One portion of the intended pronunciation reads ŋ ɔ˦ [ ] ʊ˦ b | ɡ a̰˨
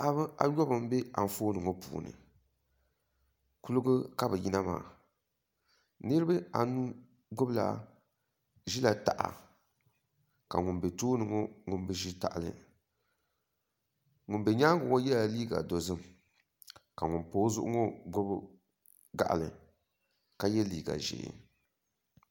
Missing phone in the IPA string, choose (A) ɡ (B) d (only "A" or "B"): A